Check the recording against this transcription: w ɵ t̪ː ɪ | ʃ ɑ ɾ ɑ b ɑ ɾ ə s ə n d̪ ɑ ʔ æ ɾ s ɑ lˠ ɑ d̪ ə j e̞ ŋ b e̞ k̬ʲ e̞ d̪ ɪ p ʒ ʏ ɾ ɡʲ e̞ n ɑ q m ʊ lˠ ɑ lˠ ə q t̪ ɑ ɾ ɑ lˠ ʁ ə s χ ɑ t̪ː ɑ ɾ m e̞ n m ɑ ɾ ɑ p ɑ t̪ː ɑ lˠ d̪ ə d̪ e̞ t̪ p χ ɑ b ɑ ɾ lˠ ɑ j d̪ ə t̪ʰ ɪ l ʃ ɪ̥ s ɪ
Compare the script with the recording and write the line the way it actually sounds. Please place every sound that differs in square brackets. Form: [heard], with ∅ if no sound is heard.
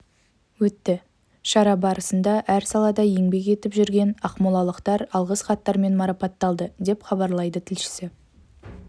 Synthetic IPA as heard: w ɵ t̪ː ɪ | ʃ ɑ ɾ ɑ b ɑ ɾ ə s ə n d̪ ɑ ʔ æ ɾ s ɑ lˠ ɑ d̪ [ɑ] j e̞ ŋ b e̞ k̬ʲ e̞ [t̪] ɪ p ʒ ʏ ɾ ɡʲ e̞ n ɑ q m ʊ lˠ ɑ lˠ ə q t̪ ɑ ɾ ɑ lˠ ʁ ə s χ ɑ t̪ː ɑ ɾ m e̞ n m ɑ ɾ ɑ p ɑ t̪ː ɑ lˠ d̪ ə d̪ e̞ [∅] p χ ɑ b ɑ ɾ lˠ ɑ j d̪ ə t̪ʰ ɪ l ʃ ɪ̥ s ɪ

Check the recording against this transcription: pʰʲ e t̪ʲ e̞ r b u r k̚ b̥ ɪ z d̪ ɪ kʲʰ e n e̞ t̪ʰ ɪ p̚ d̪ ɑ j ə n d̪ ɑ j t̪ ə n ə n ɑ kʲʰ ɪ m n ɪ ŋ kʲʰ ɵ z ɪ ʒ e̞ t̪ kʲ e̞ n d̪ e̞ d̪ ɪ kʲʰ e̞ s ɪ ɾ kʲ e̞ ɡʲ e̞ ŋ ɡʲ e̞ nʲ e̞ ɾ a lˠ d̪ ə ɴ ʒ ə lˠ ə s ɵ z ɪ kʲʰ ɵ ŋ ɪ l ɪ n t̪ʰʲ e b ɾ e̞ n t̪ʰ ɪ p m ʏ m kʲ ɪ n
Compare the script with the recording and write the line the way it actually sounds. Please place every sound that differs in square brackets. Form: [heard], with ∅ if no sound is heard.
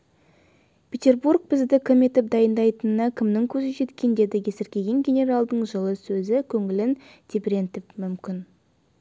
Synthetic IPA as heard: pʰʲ e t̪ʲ e̞ r b u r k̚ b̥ ɪ z d̪ ɪ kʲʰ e [m] e̞ [t̪] ɪ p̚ d̪ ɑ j ə n d̪ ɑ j t̪ ə n ə n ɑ kʲʰ ɪ m n ɪ ŋ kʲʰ ɵ z ɪ ʒ e̞ t̪ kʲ e̞ n d̪ e̞ d̪ ɪ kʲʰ e̞ s ɪ ɾ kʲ e̞ ɡʲ e̞ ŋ ɡʲ e̞ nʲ e̞ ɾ a lˠ d̪ ə ɴ ʒ ə lˠ ə s ɵ z ɪ kʲʰ ɵ ŋ ɪ l ɪ n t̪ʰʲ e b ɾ e̞ n [t̪] ɪ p m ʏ m kʲ ɪ n

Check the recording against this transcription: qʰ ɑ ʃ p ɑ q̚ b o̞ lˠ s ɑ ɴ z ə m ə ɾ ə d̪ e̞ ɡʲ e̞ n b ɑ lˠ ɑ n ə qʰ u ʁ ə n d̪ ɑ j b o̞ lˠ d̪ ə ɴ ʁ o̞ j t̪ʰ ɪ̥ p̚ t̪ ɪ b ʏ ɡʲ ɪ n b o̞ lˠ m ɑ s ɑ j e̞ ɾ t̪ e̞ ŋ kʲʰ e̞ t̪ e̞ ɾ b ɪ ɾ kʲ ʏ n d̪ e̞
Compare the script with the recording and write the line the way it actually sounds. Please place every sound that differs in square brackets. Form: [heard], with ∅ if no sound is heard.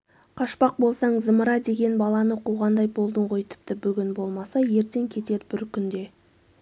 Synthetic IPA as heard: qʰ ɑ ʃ p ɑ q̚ b o̞ lˠ s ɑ ɴ z ə m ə ɾ [ɑ] d̪ e̞ ɡʲ e̞ n b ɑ lˠ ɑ n ə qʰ u ʁ [ɑ] n d̪ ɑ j b o̞ lˠ d̪ ə ɴ ʁ o̞ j t̪ʰ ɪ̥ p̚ t̪ ɪ b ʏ ɡʲ ɪ n b o̞ lˠ m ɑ s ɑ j e̞ ɾ t̪ e̞ ŋ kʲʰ e̞ t̪ e̞ ɾ b ɪ ɾ kʲ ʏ n d̪ e̞

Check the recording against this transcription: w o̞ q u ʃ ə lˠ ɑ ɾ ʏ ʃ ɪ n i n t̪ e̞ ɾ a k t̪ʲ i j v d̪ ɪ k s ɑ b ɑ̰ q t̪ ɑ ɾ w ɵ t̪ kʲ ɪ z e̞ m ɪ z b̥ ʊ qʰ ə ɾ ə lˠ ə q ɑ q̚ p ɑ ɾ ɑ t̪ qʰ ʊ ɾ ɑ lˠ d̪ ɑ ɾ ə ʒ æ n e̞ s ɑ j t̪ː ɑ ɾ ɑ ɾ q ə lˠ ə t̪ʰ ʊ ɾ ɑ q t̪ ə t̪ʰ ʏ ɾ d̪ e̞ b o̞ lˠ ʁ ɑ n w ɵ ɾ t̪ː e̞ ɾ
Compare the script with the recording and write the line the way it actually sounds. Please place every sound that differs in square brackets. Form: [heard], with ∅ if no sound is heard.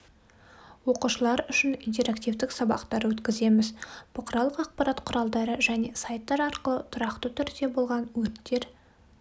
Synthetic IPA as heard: w o̞ q u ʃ ə lˠ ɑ ɾ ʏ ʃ ɪ n i n t̪ e̞ ɾ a k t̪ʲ i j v d̪ ɪ k s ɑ b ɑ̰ q t̪ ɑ ɾ w ɵ t̪ kʲ ɪ z e̞ m ɪ z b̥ ʊ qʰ ə ɾ [ɑ] lˠ ə q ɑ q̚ p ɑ ɾ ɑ t̪ qʰ ʊ ɾ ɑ lˠ d̪ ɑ ɾ ə ʒ æ n e̞ s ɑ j t̪ː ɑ ɾ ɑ ɾ q ə lˠ ə t̪ʰ ʊ ɾ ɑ q t̪ ə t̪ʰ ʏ ɾ d̪ e̞ b o̞ lˠ ʁ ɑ n w ɵ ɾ t̪ː e̞ ɾ

